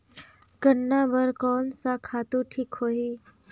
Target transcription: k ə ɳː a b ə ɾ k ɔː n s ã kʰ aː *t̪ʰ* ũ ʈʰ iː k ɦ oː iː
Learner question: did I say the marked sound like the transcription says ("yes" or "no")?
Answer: no